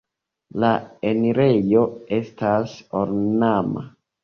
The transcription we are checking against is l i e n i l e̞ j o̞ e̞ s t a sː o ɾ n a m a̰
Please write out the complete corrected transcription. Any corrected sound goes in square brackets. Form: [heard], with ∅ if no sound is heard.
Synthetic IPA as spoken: l [a] e n i [ɾ] e̞ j o̞ e̞ s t a [s] o ɾ n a m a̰